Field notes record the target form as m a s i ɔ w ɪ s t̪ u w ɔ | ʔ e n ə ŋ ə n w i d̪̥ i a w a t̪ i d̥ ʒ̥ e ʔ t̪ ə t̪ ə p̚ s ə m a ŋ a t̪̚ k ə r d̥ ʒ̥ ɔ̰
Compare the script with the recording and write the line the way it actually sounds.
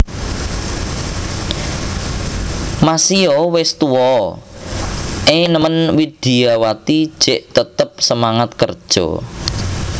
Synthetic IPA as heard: m a s i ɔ w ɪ s t̪ u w ɔ | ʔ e n ə m ə n w i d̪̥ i a w a t̪ i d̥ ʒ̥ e ʔ t̪ ə t̪ ə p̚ s ə m a ŋ a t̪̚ k ə r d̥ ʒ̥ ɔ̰

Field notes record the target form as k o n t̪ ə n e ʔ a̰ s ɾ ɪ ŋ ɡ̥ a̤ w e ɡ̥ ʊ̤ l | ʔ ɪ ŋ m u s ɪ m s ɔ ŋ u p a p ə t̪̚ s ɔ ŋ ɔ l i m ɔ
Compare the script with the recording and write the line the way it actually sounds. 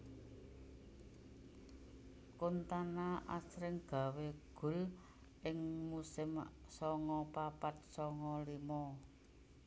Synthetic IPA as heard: k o n t̪ a n a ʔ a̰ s ɾ ɪ ŋ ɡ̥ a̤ w e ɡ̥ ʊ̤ l | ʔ ɪ ŋ m u s ɪ m s ɔ ŋ ɔ p a p a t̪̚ s ɔ ŋ ɔ l i m ɔ

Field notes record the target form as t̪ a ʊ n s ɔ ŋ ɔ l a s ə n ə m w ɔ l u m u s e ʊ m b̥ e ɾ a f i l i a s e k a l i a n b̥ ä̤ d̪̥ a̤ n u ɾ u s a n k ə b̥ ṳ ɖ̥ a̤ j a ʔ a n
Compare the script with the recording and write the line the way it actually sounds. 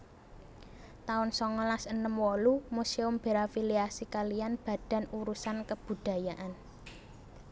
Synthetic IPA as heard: t̪ a ʊ n s ɔ ŋ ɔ l a s ə n ə m w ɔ l u m u s e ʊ m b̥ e ɾ a f i l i a s i k a l i a n b̥ ä̤ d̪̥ a̤ n u ɾ u s a n k ə b̥ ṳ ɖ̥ a̤ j a ʔ a n

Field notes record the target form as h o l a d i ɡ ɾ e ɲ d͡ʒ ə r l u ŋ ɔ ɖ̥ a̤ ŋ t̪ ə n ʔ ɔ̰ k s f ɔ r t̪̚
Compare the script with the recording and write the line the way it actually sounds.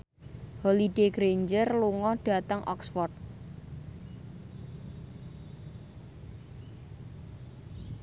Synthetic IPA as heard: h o l i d e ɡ ɾ e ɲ d͡ʒ ə r l u ŋ ɔ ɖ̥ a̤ t̪ ə ŋ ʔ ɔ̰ k s f ɔ r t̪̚

